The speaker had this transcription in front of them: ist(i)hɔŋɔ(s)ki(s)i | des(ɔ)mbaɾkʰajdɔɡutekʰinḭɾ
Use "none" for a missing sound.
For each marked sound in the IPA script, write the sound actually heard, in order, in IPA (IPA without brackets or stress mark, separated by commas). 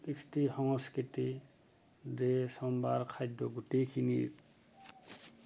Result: i, s, t, ɔ